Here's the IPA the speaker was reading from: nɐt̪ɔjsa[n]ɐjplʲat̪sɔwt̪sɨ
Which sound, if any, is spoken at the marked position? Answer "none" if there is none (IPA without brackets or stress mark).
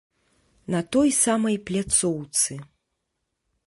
m